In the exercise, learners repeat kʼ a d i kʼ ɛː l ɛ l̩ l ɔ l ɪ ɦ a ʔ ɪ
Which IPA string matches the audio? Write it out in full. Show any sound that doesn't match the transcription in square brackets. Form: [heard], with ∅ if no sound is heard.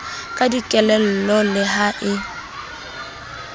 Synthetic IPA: kʼ a d i kʼ [ɛ] l ɛ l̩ l ɔ l ɪ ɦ a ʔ ɪ